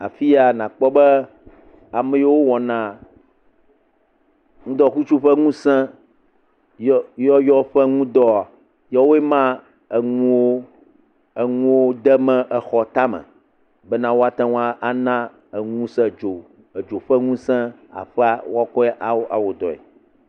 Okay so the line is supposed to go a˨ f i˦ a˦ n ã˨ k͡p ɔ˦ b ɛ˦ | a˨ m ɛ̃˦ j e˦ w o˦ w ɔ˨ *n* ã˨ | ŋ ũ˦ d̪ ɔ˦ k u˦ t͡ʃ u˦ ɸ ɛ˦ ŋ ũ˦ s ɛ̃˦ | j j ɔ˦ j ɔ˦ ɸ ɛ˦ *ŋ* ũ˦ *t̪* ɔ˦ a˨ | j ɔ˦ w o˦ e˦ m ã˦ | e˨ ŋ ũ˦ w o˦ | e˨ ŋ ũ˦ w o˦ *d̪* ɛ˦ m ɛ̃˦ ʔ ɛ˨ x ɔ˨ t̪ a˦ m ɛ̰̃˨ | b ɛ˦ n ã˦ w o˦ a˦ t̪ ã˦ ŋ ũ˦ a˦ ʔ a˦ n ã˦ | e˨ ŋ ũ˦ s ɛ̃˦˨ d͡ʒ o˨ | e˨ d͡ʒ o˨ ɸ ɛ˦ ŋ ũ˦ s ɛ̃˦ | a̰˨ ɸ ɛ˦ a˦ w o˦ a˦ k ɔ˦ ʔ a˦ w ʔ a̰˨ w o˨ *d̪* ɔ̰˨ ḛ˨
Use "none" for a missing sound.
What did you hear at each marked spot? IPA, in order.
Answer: n, ŋ, d̪, d̪, d̪

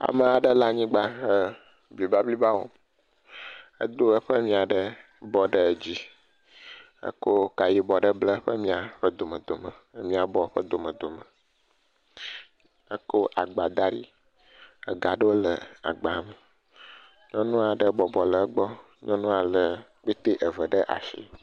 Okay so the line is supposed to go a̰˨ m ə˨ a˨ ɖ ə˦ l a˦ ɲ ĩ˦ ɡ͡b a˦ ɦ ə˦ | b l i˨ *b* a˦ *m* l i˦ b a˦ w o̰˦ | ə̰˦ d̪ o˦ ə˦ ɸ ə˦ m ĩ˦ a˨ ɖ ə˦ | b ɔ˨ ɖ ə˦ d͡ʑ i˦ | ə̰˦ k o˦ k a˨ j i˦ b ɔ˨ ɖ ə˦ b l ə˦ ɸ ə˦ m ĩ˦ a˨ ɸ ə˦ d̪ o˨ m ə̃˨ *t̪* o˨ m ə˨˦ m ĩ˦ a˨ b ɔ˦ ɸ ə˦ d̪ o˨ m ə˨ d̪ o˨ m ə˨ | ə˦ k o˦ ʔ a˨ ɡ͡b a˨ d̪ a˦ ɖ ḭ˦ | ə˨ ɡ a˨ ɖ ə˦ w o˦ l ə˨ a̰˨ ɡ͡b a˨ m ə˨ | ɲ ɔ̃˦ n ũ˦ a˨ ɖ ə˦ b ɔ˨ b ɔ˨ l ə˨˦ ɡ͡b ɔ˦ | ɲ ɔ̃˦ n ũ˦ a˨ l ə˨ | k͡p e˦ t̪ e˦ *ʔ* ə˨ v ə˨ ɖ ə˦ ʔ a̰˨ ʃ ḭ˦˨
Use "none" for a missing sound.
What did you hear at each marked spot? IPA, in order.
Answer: b, b, d̪, ʔ

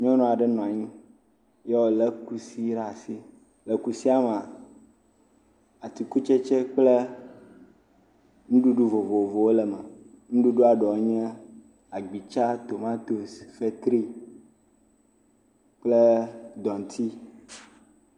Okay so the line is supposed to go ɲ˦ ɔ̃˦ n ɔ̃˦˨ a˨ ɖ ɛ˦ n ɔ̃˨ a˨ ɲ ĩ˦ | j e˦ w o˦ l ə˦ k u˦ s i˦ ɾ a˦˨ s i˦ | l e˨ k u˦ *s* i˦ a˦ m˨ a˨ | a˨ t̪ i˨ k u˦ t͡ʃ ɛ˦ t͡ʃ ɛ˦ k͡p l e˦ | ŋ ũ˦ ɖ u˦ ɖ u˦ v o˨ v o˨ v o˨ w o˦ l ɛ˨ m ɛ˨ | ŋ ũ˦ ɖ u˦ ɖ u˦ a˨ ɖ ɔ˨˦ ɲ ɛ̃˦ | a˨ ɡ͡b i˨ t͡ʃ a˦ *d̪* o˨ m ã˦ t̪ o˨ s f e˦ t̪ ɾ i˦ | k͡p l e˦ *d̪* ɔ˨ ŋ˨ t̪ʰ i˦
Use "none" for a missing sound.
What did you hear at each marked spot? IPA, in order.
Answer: s, t̪, d̪

